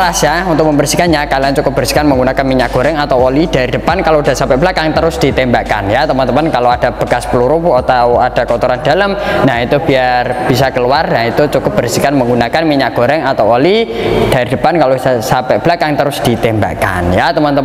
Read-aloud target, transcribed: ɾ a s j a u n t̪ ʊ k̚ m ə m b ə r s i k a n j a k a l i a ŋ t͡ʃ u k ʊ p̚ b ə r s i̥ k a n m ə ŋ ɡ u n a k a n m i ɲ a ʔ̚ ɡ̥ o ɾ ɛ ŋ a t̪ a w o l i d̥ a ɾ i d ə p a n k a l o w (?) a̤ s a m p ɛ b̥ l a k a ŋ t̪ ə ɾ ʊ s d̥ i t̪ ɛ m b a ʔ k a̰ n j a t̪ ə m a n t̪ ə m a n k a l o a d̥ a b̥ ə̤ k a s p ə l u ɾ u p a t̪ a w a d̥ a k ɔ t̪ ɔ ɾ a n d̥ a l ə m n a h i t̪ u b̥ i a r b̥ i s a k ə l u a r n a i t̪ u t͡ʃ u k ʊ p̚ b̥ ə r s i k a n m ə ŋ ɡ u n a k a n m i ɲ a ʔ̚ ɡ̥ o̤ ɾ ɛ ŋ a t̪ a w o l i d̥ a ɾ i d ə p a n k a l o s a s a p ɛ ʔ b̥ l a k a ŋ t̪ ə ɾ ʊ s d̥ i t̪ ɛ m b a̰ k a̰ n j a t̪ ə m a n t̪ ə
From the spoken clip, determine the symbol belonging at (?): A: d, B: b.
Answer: A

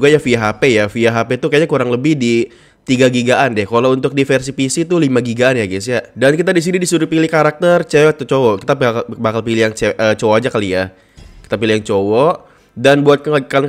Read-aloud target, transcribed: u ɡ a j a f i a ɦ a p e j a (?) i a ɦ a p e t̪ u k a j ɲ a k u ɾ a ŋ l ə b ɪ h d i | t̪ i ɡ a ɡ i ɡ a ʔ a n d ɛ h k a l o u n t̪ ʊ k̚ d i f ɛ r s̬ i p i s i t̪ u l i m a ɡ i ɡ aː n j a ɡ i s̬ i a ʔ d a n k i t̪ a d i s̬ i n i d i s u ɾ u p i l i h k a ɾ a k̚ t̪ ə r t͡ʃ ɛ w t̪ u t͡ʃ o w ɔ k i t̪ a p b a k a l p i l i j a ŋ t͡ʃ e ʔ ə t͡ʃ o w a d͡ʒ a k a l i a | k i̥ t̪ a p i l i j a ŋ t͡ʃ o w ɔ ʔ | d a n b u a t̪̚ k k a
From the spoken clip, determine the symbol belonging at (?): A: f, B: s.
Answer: A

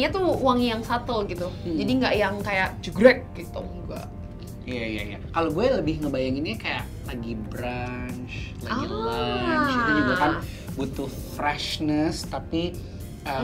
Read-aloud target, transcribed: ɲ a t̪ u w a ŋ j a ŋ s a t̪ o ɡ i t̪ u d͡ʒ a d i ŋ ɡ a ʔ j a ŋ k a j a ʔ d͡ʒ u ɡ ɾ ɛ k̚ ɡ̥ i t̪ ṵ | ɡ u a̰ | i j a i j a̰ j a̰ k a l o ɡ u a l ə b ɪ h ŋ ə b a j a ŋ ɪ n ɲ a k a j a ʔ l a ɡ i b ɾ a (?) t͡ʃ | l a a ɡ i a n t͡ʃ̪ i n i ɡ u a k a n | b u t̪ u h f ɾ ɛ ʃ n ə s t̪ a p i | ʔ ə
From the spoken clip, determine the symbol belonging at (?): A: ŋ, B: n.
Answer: B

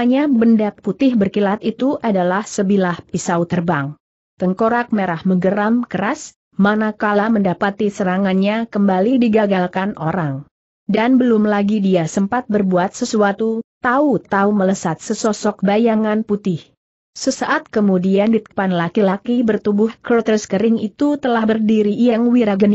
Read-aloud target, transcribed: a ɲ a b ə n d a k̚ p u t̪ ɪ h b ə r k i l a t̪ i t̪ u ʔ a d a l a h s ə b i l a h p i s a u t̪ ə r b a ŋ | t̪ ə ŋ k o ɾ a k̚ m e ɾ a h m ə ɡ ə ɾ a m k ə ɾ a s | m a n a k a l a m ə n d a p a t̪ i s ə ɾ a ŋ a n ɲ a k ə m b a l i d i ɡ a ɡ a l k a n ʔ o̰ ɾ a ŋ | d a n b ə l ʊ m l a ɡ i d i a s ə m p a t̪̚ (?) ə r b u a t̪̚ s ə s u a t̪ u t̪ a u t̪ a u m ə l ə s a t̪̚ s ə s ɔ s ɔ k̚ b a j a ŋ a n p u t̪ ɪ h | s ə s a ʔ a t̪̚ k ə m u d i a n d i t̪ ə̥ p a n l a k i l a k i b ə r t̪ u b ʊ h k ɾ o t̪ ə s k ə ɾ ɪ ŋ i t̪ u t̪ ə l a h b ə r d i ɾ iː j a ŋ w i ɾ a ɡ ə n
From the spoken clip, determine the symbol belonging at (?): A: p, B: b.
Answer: B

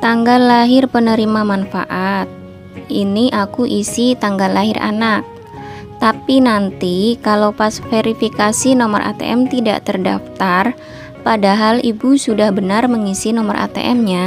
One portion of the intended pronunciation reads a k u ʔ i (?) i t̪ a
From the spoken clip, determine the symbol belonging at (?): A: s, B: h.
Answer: A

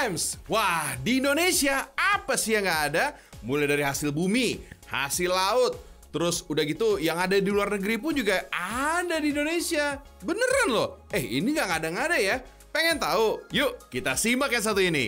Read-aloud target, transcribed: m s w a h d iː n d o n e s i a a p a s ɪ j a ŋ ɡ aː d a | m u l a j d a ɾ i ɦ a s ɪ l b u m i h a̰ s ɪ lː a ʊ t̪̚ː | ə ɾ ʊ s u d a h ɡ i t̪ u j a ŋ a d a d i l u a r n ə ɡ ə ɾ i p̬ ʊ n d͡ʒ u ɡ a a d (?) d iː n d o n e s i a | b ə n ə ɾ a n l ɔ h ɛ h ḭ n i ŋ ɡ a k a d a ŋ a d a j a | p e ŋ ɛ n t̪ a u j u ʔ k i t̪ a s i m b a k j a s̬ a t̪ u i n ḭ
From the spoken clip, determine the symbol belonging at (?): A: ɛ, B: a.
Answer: B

